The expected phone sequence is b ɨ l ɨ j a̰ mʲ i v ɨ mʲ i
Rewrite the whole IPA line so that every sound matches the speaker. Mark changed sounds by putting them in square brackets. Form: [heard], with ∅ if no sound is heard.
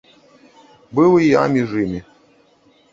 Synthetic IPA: b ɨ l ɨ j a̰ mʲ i [ʐ] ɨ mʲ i